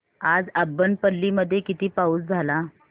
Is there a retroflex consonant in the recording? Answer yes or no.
no